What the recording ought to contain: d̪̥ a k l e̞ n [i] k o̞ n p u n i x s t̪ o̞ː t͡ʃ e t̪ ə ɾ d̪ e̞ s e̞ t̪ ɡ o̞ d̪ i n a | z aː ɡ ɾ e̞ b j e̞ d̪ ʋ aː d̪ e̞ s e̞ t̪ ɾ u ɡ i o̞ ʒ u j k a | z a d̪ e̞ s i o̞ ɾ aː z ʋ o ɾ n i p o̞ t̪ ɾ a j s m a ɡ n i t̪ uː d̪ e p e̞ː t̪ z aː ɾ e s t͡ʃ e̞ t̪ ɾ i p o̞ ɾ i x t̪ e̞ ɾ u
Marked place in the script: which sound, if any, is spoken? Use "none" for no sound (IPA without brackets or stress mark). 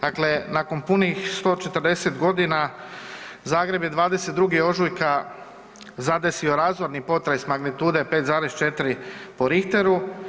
a